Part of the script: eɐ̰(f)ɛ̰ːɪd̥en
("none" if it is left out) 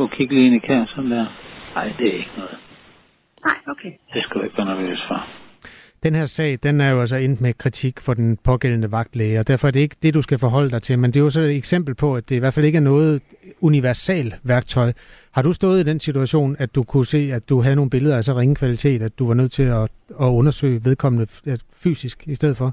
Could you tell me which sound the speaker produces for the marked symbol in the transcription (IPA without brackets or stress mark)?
s